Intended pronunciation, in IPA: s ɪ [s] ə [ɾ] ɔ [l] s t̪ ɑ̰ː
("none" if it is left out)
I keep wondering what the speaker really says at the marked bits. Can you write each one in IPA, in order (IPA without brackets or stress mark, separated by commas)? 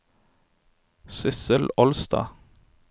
s, l, l